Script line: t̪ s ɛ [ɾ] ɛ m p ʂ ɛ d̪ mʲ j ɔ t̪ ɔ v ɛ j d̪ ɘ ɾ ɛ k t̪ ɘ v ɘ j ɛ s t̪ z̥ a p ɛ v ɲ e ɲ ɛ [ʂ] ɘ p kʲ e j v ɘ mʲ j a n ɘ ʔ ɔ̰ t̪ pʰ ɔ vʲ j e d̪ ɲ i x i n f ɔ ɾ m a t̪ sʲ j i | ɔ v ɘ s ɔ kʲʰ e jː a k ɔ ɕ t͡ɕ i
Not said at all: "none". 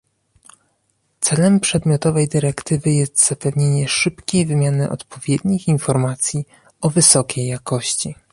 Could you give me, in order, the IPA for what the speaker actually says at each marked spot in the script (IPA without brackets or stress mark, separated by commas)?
l, ʂ